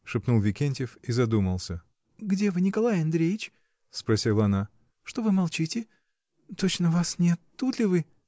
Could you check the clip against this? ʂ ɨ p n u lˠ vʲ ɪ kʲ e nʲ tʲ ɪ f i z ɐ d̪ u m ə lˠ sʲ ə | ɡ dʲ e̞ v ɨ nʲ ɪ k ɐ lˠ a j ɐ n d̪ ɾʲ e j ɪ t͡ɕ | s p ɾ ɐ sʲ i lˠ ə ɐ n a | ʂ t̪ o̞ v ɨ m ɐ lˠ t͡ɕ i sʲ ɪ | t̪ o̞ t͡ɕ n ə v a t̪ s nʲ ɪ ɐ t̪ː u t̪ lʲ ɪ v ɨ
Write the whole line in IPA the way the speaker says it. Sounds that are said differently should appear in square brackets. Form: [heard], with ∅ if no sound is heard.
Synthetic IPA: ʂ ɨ p n u lˠ vʲ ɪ kʲ e nʲ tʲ ɪ f i z ɐ d̪ u m ə lˠ sʲ ə | ɡ dʲ e̞ v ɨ nʲ ɪ k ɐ lˠ a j ɐ n d̪ ɾʲ e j ɪ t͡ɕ | s p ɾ ɐ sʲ i lˠ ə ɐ n a | ʂ t̪ o̞ v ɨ m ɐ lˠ t͡ɕ i [tʲ] ɪ | t̪ o̞ t͡ɕ n ə v a [∅] s nʲ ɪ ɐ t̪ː u t̪ lʲ ɪ v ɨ